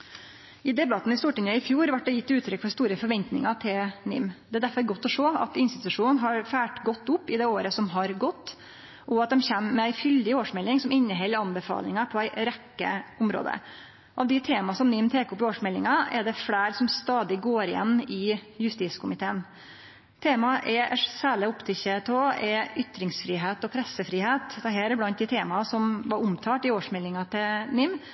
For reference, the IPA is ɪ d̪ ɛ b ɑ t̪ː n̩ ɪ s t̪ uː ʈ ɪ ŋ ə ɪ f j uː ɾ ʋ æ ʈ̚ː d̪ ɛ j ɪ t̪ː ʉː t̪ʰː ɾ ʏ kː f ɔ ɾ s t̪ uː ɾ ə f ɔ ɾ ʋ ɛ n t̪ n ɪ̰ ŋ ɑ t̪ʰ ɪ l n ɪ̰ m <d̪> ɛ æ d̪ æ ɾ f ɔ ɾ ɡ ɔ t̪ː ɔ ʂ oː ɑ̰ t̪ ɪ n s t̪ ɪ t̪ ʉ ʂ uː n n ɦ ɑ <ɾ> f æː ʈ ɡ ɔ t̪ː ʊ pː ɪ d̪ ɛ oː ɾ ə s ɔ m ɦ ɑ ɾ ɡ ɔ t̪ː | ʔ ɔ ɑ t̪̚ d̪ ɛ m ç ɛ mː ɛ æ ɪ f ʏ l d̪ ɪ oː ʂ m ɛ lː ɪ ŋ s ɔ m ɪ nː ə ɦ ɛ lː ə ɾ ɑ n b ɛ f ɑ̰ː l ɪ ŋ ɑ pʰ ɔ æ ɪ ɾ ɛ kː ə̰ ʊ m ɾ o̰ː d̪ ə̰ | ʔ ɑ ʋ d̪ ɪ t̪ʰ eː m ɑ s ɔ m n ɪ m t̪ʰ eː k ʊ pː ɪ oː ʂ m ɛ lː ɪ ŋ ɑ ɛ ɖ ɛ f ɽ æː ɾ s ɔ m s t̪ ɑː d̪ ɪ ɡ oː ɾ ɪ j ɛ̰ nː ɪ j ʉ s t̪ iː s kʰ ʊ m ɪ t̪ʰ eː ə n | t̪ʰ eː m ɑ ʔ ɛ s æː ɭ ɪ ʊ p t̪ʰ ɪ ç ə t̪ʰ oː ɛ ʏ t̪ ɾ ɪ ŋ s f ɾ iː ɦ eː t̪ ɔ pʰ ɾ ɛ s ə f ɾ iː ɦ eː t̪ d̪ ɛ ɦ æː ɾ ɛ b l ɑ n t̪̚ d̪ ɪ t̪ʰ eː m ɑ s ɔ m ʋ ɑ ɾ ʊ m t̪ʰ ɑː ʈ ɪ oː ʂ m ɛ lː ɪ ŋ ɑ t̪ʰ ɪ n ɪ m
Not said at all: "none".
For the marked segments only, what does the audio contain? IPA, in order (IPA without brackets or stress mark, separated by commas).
d̪, ɾ